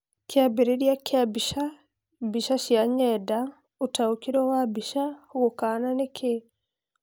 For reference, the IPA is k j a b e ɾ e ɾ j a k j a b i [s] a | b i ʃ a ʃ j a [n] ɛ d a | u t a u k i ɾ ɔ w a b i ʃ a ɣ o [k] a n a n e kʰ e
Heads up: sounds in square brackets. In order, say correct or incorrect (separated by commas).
incorrect, incorrect, correct